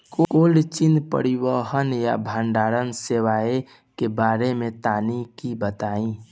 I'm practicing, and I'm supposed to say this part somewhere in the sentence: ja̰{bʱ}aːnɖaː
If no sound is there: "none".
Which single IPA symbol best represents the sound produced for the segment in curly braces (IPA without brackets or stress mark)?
bʱ